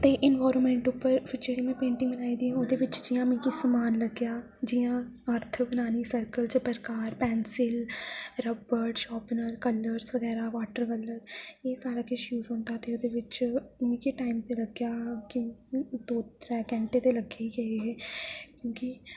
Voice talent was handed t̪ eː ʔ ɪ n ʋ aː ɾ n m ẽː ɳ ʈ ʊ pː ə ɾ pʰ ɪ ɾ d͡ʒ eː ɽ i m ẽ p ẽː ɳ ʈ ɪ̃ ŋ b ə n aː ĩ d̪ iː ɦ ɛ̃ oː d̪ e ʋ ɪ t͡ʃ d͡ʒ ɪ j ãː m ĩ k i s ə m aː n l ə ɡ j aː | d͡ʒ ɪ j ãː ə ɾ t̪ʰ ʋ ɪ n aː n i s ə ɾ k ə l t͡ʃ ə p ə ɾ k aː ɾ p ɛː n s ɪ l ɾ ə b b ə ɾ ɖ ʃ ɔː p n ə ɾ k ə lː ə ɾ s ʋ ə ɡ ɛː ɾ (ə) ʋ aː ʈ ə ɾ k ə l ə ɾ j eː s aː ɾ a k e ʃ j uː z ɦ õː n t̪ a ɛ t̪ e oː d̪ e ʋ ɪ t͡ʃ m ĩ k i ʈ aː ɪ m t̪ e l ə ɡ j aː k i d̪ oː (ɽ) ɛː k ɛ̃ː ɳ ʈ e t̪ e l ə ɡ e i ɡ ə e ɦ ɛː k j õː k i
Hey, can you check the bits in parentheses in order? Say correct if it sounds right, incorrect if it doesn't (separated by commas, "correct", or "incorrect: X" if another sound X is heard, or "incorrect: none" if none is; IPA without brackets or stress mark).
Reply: incorrect: a, incorrect: ɾ